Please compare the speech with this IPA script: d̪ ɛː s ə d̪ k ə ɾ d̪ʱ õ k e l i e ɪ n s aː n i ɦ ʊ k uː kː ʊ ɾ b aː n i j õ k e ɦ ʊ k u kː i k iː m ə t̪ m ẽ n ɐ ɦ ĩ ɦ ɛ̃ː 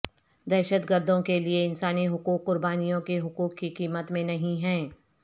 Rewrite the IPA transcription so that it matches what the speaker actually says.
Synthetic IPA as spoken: d̪ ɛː ʃ ə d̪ ɡ ə ɾ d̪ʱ õ k e l i e ɪ n s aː n i ɦ ʊ k uː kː ʊ ɾ b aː n i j õ k e ɦ ʊ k uː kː i k iː m ə t̪ m ẽ n ɐ ɦ ĩ ɦ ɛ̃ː